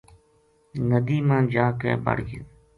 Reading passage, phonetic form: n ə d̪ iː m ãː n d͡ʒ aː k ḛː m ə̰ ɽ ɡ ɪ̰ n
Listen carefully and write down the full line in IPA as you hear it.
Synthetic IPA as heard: n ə d̪ iː m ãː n d͡ʒ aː k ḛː b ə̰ ɽ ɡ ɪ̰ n